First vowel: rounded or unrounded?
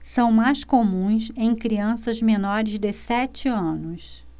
unrounded